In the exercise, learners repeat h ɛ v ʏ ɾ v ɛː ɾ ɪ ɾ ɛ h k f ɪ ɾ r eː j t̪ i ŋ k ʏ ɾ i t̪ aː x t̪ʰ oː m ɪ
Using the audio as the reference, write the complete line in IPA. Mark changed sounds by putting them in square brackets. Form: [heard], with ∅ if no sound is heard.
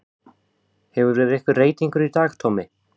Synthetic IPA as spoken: h ɛ v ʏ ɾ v ɛː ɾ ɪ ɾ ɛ h k [v] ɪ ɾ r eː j t̪ i ŋ k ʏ ɾ i t̪ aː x t̪ʰ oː m ɪ